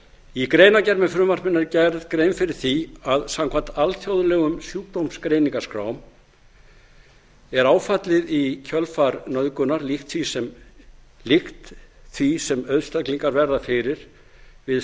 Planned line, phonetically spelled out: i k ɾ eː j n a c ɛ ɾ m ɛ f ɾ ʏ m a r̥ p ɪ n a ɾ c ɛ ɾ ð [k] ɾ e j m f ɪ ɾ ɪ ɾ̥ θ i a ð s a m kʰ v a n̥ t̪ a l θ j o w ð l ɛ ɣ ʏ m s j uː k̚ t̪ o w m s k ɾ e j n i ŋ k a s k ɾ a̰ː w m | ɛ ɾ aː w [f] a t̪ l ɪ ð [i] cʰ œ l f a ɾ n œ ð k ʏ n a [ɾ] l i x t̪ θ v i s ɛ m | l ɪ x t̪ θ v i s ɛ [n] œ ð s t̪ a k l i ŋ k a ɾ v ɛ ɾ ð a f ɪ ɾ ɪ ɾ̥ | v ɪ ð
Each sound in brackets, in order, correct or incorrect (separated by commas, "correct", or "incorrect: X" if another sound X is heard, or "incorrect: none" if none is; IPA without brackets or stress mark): correct, correct, correct, correct, incorrect: m